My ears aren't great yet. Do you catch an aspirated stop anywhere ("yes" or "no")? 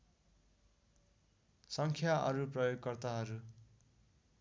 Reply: yes